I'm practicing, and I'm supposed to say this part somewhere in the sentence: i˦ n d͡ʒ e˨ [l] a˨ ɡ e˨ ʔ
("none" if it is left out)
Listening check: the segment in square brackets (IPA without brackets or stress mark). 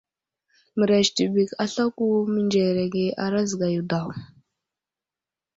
ɾ